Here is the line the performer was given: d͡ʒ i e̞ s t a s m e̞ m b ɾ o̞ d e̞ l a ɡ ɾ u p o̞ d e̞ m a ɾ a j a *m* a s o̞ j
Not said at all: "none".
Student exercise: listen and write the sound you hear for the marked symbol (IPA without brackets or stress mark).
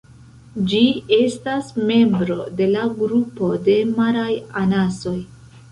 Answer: n